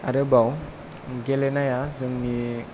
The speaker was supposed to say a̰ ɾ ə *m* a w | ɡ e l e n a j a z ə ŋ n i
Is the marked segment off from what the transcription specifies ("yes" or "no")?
yes